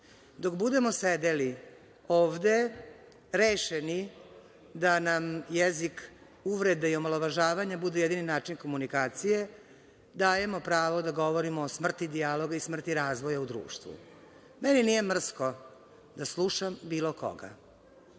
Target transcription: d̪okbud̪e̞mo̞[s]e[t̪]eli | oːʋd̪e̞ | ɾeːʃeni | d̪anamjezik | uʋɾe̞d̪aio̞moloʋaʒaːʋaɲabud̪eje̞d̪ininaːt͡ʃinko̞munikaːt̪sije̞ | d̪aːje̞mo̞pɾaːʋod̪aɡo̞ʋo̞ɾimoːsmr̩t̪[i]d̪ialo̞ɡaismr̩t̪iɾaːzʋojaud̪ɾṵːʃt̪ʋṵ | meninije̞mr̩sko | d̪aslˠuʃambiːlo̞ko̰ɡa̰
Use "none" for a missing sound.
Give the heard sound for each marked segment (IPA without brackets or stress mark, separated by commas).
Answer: s, d̪, i